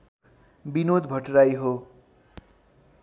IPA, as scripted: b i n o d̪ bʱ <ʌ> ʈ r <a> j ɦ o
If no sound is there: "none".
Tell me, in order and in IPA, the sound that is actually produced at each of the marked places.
ʌ, a

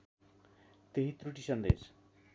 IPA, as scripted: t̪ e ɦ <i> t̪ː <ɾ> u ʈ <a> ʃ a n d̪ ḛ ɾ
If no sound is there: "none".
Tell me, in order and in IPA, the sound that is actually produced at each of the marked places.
i, ɾ, i

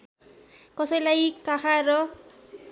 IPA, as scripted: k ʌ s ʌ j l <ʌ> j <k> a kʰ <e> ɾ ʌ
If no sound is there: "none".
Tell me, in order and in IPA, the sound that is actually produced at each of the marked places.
a, k, a

